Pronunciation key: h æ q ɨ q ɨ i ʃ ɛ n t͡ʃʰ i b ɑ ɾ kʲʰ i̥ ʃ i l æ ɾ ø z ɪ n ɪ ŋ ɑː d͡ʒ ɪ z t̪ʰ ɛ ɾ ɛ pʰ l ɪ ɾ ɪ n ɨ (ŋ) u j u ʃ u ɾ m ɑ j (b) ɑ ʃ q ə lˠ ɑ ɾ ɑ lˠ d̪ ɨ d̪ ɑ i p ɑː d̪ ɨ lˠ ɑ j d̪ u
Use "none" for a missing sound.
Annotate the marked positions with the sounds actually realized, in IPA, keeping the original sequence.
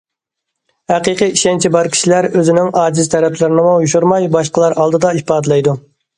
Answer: m, b

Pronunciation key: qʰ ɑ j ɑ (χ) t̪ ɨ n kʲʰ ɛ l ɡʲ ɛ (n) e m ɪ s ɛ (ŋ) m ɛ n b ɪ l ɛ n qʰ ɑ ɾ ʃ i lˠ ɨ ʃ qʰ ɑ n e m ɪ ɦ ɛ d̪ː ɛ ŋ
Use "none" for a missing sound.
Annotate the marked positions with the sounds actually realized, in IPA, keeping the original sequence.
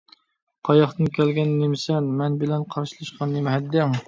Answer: χ, nː, n

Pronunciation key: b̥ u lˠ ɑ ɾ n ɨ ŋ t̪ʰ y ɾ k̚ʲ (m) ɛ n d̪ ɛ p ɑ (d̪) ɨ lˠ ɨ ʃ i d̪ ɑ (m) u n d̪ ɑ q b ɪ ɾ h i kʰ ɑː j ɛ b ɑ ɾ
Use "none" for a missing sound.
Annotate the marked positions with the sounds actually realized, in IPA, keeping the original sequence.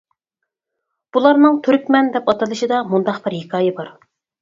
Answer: m, t̪, m

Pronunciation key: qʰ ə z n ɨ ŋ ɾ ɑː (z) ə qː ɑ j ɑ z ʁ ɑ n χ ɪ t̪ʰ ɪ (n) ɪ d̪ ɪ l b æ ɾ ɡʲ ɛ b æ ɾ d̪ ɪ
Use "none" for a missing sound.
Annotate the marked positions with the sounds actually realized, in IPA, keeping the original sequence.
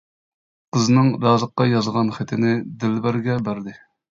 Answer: z, n

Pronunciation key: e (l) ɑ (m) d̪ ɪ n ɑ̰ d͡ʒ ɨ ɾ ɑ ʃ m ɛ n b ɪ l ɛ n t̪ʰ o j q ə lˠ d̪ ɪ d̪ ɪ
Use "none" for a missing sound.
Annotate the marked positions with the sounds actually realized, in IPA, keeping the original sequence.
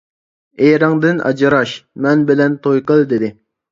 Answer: ɾ, ŋ

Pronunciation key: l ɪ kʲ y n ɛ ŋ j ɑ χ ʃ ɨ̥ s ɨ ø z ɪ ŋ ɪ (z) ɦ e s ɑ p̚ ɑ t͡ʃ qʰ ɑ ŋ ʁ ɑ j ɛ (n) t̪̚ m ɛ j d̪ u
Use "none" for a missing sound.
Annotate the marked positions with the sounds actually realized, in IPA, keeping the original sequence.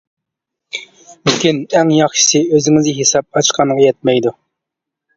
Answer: z, none

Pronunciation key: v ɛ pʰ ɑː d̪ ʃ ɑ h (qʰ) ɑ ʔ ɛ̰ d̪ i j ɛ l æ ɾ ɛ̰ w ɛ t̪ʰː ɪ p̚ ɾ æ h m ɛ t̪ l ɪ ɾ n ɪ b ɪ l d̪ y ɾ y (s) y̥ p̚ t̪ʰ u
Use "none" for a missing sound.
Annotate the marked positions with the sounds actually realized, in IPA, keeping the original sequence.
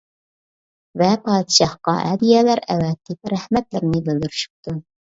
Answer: q, ʃ

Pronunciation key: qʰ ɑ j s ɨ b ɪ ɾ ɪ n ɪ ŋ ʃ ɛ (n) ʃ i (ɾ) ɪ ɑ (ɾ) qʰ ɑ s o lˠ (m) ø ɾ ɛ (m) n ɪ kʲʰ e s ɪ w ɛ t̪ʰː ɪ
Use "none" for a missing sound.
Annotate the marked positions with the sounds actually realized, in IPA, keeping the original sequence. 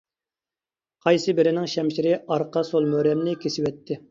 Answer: m, ɾ, ɾ, m, m

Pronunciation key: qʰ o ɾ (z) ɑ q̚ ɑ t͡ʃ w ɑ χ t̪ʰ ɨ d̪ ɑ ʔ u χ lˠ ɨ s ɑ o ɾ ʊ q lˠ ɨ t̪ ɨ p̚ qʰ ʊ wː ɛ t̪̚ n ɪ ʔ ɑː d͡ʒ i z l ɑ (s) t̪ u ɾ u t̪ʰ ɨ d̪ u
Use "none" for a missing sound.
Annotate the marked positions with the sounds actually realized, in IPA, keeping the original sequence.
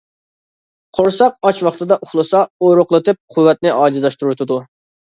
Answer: s, ʃ

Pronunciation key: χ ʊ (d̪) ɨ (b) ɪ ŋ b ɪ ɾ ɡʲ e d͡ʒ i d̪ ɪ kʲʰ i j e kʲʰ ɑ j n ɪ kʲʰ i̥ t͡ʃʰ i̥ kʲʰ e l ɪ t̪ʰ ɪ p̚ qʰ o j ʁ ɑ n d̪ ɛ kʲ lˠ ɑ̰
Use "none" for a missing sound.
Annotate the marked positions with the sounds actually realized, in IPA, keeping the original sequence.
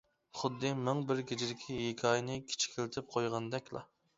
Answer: d̪ː, m

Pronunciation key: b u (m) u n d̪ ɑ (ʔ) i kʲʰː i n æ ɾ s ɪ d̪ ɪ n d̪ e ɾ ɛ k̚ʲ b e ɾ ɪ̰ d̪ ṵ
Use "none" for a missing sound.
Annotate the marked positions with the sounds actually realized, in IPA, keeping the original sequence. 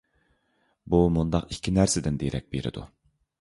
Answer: m, q

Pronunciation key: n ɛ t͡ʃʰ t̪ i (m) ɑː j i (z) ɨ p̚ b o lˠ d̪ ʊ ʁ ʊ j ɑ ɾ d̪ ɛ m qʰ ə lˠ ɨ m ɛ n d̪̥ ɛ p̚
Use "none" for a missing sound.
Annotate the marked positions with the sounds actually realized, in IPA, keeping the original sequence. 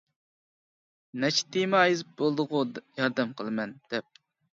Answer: m, z

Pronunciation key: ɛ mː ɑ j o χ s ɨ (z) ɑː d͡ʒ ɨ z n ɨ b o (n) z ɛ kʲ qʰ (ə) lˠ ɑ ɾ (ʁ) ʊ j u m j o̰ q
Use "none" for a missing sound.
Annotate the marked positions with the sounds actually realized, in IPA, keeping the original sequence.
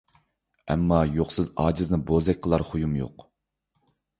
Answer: z, none, ə, χ

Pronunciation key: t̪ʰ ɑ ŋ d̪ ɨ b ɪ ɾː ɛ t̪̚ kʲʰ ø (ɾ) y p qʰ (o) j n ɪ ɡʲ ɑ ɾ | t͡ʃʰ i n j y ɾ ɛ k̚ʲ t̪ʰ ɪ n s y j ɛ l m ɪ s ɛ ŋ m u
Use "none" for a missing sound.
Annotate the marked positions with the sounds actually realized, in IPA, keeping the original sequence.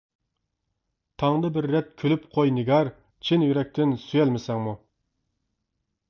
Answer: l, o

